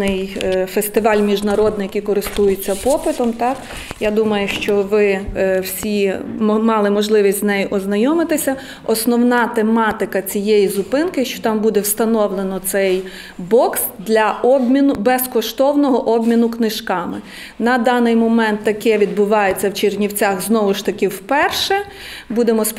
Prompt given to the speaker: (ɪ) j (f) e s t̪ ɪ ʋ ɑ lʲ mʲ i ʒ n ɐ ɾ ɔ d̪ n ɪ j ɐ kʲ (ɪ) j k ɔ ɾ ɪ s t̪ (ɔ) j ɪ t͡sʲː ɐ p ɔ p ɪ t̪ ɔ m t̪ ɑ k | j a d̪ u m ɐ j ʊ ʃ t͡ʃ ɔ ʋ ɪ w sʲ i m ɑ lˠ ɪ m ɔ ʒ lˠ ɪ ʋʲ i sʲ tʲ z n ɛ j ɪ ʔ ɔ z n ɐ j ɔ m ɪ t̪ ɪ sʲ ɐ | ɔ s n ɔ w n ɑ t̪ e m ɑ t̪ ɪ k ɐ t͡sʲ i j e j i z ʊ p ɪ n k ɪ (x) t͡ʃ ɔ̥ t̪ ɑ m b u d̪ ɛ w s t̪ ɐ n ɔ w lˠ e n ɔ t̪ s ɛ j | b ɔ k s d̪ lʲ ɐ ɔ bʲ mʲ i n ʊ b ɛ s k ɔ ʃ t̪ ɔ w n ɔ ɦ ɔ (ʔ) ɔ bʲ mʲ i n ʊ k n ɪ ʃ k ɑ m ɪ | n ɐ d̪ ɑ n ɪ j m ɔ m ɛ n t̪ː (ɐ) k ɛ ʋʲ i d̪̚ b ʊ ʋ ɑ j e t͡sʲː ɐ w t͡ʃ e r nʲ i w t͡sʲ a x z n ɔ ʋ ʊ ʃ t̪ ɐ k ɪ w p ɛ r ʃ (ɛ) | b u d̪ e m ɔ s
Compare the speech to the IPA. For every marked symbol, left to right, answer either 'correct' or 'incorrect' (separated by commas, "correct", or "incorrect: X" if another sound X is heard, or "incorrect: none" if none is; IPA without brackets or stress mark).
correct, correct, incorrect: i, incorrect: u, incorrect: ʃ, correct, correct, correct